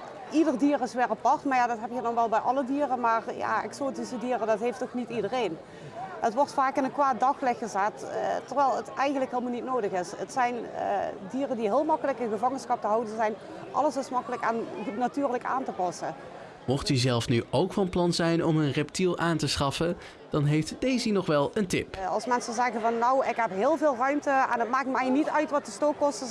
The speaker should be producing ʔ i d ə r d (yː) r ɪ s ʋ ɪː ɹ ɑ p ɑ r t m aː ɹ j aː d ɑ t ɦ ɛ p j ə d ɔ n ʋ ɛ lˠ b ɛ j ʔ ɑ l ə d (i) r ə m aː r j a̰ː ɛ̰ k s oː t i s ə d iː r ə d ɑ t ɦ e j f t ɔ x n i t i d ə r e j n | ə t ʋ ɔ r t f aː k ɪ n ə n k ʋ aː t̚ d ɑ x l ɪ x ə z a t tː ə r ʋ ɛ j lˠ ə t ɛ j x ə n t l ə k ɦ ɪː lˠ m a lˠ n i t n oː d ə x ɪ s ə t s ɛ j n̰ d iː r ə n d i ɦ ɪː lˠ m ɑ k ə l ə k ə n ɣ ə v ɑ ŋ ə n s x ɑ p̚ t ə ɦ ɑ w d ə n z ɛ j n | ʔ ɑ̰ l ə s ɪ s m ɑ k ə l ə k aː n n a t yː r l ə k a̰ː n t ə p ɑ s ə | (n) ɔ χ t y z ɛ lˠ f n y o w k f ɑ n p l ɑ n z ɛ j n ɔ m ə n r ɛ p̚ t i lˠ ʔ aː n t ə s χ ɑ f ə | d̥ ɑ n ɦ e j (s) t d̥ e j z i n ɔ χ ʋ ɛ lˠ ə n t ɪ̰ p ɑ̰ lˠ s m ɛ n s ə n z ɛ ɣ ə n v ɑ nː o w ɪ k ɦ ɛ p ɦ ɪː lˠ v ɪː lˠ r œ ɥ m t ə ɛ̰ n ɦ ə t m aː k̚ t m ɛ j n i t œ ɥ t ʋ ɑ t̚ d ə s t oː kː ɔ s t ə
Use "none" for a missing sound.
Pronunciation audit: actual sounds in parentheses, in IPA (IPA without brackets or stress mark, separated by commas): iː, iː, m, f